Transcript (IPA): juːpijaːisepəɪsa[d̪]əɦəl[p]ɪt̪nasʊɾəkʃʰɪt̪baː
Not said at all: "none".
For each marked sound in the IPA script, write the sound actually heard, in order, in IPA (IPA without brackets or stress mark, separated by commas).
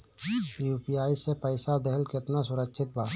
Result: d̪, k